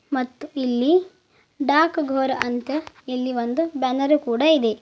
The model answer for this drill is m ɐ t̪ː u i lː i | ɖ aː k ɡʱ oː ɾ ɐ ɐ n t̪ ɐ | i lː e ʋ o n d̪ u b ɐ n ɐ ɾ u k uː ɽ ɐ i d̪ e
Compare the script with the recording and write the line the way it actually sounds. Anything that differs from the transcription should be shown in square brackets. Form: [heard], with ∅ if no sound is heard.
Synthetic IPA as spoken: m ɐ t̪ː u i lː i | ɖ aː k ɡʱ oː ɾ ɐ ɐ n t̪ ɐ | i lː [i] ʋ o n d̪ u b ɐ n ɐ ɾ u k uː ɽ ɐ i d̪ e